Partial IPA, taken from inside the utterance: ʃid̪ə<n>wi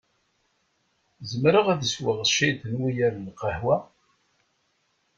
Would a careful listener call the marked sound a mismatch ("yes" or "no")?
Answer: no